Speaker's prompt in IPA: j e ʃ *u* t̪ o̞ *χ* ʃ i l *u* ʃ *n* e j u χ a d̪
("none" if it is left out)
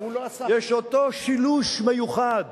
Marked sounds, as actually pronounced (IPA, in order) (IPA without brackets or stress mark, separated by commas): o, none, u, m